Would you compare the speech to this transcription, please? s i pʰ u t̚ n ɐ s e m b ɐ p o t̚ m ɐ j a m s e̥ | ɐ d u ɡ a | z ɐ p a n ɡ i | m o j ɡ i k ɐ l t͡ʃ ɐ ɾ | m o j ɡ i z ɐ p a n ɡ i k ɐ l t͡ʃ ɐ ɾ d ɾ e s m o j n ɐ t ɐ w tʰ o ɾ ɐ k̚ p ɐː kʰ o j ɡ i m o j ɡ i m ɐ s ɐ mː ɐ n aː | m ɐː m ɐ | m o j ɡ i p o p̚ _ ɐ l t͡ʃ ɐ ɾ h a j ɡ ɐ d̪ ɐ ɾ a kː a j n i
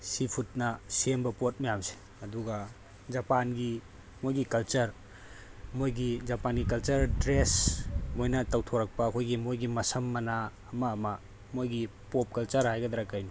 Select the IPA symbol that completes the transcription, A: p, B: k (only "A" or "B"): B